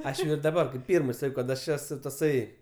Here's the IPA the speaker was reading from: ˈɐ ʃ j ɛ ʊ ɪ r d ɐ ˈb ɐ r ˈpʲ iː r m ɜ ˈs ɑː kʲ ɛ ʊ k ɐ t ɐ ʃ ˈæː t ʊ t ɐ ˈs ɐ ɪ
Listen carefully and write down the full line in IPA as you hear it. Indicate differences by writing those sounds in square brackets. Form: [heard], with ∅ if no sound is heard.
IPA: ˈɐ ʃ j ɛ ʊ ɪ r d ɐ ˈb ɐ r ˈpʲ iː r m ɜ ˈs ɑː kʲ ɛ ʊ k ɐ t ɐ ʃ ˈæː [s] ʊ t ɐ ˈs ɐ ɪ